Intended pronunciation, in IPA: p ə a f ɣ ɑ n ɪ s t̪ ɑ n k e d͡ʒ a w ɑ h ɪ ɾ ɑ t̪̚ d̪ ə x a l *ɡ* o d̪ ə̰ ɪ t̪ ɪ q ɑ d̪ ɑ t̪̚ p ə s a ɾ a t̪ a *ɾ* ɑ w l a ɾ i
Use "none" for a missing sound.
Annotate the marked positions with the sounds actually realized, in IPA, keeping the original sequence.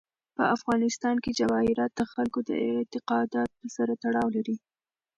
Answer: k, ɽ

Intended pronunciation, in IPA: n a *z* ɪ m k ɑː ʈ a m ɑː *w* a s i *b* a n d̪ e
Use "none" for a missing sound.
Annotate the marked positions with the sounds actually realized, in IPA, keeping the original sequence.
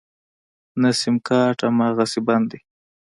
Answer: s, ɣ, b

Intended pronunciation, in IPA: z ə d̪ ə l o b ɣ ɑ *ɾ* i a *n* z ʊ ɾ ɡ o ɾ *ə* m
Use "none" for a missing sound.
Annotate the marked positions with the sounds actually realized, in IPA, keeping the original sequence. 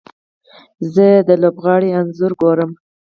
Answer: ɽ, n, ə

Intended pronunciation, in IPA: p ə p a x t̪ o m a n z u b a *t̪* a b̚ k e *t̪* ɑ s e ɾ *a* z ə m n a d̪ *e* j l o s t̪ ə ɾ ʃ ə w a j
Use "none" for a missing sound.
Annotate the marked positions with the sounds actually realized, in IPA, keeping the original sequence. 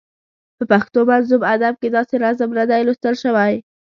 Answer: d̪, d̪, a, a

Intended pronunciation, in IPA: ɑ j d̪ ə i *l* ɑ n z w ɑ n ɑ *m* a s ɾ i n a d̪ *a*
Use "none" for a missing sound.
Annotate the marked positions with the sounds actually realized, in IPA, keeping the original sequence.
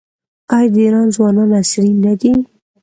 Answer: ɾ, n, i

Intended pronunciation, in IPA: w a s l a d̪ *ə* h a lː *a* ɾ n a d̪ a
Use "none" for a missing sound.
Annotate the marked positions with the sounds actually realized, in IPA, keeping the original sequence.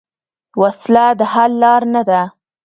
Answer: ə, ɑ

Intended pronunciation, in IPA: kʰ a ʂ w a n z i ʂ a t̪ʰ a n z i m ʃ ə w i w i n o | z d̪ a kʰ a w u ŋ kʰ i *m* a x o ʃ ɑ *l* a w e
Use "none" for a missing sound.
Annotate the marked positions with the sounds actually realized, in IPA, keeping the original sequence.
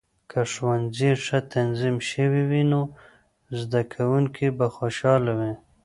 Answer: b, l

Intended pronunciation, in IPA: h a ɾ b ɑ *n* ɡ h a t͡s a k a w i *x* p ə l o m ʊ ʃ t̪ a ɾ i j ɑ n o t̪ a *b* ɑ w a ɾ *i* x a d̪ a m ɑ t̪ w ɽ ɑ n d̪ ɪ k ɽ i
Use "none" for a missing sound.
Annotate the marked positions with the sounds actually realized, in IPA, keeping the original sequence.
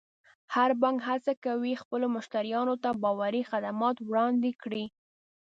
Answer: ŋ, x, b, i

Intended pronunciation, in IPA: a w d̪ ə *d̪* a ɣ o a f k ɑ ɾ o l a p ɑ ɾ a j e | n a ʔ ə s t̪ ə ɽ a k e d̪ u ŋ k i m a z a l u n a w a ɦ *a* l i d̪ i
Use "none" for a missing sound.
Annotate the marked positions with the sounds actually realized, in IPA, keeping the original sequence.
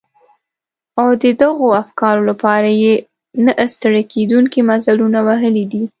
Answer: d̪, ə

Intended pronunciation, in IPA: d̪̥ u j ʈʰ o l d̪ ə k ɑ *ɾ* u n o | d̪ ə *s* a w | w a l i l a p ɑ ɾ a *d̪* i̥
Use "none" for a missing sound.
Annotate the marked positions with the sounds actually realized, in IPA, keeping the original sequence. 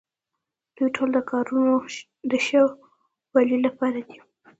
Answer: ɾ, ʃ, d̪

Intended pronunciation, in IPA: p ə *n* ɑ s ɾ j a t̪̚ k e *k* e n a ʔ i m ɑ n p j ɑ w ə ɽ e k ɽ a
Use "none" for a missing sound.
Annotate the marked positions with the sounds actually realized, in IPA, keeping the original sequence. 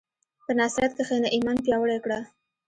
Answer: n, x

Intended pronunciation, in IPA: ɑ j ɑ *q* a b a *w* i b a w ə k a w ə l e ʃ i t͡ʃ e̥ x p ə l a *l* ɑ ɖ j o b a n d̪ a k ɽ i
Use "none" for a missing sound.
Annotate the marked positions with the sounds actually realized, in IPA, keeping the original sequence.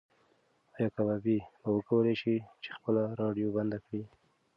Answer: k, b, ɾ

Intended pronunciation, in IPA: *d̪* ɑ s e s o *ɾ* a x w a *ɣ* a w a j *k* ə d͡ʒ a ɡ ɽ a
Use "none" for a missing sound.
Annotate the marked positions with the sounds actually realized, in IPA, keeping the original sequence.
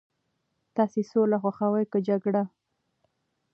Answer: t̪, l, x, k

